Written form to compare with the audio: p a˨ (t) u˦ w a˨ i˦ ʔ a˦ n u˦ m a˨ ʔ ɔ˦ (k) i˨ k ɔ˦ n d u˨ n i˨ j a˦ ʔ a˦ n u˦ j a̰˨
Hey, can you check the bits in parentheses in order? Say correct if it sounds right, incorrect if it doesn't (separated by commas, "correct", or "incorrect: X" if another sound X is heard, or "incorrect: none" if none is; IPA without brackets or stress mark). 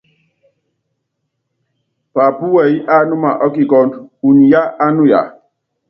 incorrect: p, correct